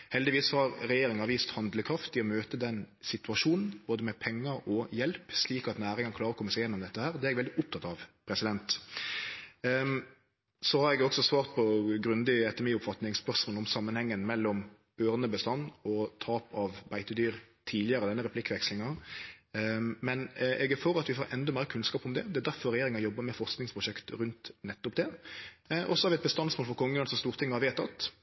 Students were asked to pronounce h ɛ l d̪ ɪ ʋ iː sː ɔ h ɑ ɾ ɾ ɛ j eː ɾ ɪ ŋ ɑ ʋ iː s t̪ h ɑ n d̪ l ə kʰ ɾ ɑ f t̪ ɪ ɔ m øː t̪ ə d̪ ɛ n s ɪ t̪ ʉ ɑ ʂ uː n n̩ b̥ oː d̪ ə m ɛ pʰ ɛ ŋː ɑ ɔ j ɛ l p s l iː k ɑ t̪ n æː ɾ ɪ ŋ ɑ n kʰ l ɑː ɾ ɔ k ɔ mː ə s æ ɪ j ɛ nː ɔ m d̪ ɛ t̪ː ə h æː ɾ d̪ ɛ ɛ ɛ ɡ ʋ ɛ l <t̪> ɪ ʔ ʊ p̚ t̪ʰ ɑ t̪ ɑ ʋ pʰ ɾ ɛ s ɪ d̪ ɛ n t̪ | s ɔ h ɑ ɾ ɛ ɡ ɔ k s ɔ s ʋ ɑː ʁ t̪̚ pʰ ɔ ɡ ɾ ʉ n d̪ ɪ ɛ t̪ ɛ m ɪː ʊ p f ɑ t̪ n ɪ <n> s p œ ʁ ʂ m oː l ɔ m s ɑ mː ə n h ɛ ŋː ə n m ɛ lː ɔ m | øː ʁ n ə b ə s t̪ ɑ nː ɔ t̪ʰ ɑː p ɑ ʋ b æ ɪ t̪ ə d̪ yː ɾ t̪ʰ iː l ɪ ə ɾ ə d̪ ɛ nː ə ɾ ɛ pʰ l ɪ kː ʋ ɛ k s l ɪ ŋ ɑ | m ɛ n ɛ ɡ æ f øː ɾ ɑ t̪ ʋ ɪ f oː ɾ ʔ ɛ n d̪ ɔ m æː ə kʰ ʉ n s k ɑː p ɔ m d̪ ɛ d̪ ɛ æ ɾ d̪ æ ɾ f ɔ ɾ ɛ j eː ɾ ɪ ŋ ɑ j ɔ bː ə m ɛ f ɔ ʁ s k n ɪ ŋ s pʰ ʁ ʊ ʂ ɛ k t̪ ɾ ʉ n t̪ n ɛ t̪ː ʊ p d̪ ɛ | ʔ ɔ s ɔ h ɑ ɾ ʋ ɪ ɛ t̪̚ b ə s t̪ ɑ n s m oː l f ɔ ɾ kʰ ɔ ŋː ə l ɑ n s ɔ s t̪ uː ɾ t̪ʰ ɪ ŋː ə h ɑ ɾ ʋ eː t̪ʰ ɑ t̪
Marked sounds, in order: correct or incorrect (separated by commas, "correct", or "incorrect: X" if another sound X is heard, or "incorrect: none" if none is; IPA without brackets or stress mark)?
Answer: incorrect: d̪, incorrect: ŋ